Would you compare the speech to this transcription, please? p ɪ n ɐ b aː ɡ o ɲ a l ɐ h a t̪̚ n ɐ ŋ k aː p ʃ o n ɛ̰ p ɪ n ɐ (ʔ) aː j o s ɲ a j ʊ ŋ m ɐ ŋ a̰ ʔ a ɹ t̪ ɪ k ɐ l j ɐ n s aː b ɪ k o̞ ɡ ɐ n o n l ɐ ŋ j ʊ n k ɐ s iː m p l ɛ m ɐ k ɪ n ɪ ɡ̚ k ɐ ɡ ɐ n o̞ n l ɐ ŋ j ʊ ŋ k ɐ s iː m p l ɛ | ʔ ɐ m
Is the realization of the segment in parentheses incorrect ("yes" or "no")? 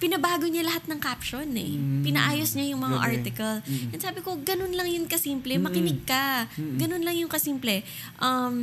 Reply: no